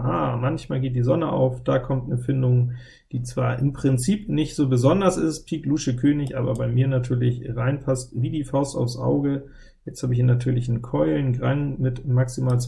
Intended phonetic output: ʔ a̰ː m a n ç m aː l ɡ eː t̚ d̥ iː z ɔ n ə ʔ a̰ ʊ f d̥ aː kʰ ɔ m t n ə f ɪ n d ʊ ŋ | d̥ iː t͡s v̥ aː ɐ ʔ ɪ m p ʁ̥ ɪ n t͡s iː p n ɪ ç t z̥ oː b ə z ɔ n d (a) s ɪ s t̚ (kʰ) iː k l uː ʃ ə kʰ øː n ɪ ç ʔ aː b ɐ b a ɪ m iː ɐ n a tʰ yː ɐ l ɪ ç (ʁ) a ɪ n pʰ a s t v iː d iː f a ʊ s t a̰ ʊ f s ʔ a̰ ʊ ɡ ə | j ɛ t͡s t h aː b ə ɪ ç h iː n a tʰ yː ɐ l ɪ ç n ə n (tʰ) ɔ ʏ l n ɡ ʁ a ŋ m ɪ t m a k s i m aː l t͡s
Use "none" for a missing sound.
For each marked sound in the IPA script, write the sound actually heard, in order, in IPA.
ɐ, pʰ, ʁ, kʰ

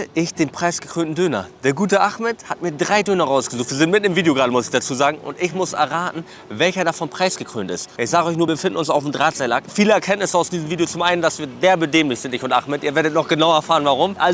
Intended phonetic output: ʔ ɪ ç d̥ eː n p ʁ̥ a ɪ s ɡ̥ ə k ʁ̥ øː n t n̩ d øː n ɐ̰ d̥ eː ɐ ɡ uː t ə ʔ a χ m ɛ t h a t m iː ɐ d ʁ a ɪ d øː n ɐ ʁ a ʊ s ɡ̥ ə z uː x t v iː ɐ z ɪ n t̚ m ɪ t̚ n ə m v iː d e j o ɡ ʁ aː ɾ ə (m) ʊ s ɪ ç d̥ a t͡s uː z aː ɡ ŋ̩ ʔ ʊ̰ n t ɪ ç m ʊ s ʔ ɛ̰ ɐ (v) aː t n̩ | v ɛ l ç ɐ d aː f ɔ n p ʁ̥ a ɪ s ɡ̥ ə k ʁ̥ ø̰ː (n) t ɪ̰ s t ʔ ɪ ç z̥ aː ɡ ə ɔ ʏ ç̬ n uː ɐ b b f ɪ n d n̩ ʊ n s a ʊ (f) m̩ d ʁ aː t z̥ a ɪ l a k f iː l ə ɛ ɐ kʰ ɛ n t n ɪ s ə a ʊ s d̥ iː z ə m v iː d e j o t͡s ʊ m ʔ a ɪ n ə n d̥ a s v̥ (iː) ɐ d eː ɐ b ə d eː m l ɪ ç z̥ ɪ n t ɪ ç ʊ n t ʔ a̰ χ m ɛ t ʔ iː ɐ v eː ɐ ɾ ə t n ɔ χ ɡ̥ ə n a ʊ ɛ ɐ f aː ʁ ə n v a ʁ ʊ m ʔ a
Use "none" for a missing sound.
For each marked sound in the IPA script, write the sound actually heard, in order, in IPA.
m, ʁ, n, f, iː

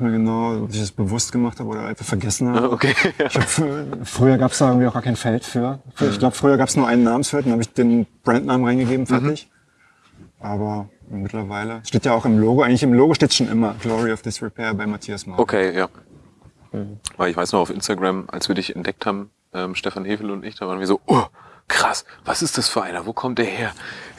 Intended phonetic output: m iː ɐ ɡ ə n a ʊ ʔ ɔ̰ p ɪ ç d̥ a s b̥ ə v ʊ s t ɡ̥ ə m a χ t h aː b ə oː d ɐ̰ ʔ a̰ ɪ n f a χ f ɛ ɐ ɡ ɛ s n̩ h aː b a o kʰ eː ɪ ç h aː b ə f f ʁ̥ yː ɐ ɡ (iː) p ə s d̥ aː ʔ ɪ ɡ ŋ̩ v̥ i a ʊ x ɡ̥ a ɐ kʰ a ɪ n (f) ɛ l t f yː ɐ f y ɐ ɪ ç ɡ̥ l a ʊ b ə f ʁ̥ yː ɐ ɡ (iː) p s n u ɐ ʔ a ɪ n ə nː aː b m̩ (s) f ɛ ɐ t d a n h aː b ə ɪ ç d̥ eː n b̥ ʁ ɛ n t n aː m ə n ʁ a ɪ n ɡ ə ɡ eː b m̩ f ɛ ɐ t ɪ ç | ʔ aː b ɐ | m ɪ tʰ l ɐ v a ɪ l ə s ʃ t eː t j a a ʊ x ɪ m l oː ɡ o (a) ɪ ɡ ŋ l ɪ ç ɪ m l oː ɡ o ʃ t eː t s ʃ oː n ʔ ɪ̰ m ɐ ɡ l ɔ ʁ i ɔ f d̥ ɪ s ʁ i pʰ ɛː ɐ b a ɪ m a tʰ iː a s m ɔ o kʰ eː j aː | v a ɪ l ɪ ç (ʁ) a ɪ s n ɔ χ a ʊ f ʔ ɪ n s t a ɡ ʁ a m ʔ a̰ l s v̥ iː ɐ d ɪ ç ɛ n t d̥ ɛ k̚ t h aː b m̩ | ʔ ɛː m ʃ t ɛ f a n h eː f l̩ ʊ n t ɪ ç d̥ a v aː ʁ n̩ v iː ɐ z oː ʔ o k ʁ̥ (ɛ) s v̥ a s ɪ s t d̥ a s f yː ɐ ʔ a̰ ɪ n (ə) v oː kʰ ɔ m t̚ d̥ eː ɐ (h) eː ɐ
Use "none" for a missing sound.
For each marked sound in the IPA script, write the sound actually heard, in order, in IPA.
aː, f, aː, s, a, v, a, ɐ, h

